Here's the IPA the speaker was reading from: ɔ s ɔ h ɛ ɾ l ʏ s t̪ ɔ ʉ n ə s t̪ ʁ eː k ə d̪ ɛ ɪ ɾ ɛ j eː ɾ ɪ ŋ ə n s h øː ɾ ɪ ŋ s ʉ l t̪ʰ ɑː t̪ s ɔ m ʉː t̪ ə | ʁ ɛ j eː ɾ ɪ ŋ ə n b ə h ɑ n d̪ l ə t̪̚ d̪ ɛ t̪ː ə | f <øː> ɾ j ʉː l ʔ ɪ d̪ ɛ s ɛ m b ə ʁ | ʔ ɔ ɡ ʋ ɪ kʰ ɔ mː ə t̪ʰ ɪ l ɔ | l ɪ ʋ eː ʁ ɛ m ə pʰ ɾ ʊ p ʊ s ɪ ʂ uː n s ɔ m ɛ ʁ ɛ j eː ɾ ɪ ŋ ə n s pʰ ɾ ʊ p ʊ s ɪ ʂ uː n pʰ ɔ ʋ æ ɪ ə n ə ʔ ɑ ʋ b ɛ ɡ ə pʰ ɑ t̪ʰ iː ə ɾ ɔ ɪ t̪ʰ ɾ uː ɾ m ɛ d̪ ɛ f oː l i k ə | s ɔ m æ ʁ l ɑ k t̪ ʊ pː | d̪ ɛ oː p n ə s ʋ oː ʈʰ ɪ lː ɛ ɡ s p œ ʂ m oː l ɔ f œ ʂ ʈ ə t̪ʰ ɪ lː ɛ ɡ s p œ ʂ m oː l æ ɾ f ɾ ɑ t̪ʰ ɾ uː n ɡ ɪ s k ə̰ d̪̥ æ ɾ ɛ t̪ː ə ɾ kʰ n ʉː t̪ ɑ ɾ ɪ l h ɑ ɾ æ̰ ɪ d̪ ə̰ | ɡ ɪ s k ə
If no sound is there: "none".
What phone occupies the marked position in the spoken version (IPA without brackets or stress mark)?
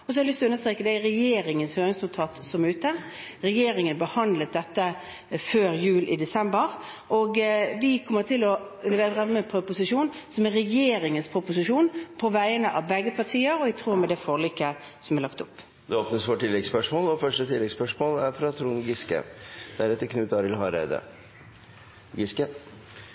øː